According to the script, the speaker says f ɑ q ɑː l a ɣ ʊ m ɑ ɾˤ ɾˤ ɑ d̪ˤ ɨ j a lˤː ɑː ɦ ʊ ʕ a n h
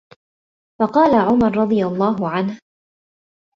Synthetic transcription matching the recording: f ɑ q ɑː l a ʕ ʊ m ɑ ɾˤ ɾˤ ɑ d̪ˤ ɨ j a lˤː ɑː ɦ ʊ ʕ a n h